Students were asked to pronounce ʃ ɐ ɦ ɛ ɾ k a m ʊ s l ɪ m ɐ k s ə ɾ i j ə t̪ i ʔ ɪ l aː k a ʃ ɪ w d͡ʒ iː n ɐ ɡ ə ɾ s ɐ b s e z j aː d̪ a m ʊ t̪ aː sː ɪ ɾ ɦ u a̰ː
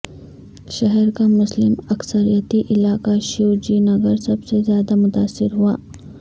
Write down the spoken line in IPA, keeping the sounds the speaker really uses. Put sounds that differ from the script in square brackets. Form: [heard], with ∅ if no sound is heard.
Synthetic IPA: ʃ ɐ ɦ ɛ ɾ k a m ʊ s l ɪ m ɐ k s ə ɾ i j ə t̪ i ʔ ɪ l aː k a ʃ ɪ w d͡ʒ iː n ɐ ɡ ə ɾ s ɐ b s e z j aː d̪ a m ʊ t̪ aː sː ɪ ɾ ɦ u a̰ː